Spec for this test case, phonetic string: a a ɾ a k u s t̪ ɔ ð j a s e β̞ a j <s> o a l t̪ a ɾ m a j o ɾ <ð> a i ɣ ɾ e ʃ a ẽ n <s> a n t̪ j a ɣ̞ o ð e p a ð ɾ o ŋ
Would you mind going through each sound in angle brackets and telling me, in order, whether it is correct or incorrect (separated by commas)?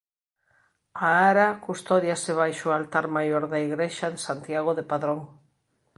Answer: incorrect, correct, correct